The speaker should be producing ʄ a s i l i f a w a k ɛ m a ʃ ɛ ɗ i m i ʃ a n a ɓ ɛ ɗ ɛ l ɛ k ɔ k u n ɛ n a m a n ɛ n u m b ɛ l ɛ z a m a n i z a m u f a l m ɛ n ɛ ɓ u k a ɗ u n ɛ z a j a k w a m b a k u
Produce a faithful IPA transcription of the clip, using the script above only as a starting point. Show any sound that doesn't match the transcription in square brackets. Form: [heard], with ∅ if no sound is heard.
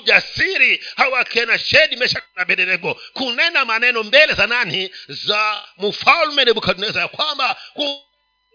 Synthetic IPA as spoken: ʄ a s i [ɾ] i [h] a w a k ɛ [n] a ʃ ɛ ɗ i m [ɛ] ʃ a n a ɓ ɛ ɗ ɛ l ɛ k ɔ k u n ɛ n a m a n ɛ n [ɔ] m b ɛ l ɛ z a [n] a n i z a m u f a l m ɛ n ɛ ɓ u k a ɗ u n ɛ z a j a k w a m b a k u